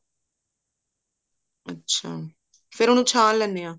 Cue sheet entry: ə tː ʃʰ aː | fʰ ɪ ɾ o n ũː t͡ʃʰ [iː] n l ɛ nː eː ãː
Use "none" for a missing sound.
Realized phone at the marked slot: aː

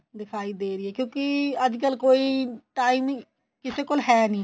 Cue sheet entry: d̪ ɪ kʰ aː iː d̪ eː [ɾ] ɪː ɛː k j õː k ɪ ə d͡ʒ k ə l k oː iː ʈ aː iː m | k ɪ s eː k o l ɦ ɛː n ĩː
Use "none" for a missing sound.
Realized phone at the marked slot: ɾ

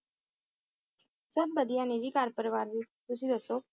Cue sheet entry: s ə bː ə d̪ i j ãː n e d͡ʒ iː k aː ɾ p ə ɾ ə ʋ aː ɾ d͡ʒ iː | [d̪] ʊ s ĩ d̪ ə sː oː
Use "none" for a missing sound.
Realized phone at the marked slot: t̪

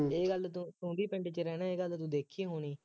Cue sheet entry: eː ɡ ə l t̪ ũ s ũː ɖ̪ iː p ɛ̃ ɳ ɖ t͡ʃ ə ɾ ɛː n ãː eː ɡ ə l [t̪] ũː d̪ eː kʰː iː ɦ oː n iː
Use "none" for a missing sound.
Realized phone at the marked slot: t̪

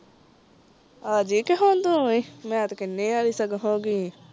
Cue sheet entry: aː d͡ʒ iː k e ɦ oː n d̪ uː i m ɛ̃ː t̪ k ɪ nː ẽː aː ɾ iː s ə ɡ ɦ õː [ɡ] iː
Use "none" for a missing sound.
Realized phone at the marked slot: ɡ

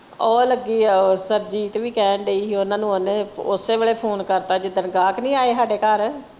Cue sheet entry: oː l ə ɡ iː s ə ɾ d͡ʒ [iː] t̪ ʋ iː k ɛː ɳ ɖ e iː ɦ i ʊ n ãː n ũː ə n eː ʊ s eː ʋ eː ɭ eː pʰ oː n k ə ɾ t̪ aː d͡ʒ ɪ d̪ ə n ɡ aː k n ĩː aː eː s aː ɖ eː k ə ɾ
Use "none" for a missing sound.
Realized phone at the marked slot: iː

